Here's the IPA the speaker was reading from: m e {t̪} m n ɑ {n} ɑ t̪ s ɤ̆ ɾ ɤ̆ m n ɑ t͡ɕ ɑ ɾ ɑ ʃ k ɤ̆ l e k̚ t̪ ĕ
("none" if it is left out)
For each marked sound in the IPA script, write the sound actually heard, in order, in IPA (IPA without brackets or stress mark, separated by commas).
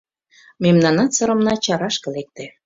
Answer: none, n